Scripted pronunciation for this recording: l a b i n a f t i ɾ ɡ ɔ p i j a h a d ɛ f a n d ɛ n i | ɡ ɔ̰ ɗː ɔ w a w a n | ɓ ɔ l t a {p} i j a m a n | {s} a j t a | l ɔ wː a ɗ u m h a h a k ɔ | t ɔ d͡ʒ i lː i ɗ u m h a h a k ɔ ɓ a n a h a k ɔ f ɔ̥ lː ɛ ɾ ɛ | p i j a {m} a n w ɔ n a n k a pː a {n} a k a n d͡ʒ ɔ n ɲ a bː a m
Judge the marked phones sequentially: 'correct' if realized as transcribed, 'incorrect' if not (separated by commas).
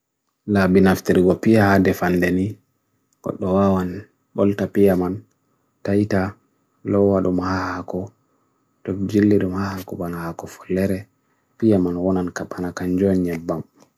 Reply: correct, incorrect, correct, correct